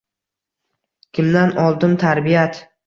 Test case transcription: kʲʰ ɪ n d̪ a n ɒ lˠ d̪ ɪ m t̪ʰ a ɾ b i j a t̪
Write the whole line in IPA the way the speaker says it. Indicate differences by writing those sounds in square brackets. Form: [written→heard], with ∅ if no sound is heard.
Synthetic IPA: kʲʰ ɪ [n→m] d̪ a n ɒ lˠ d̪ ɪ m t̪ʰ a ɾ b i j a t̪